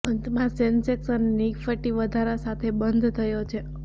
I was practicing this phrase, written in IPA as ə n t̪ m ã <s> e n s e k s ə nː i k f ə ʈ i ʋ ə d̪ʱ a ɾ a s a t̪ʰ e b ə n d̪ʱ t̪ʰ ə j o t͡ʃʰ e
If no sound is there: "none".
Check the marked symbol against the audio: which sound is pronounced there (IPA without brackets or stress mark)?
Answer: s